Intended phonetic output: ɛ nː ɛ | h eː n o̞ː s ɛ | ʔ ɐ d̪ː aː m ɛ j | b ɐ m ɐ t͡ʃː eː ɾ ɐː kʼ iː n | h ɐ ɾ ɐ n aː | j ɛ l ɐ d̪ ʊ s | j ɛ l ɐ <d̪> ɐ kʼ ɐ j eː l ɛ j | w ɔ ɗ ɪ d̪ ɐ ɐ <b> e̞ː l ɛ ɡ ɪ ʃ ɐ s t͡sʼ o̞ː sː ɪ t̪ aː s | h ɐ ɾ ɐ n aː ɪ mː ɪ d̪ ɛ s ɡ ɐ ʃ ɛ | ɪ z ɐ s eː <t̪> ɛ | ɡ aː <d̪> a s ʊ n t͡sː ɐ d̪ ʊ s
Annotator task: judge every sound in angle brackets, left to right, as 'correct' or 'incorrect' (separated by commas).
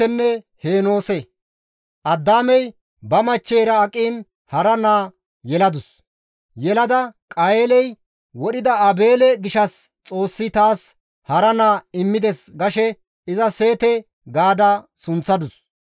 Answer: correct, correct, correct, correct